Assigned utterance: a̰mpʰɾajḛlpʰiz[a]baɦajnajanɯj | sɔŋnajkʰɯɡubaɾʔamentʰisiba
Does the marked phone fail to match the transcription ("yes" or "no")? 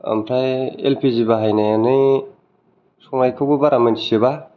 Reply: yes